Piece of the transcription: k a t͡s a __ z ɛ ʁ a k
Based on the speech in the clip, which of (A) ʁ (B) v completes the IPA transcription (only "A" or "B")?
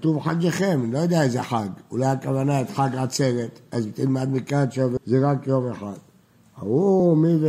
B